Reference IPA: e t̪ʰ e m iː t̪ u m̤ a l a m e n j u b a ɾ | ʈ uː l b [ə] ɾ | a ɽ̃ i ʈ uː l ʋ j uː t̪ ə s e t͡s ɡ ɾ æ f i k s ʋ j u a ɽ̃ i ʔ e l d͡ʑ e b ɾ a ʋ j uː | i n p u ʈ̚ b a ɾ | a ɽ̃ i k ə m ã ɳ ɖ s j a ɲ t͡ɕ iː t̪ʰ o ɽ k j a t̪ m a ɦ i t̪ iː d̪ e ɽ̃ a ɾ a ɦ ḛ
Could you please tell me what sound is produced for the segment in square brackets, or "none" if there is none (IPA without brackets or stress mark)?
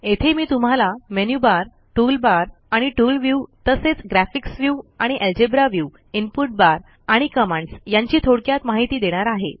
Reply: a